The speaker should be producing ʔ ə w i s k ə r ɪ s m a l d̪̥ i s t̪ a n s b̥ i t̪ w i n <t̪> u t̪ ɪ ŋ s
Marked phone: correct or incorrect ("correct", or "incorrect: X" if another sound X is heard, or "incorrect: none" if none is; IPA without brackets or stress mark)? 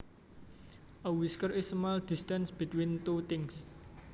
correct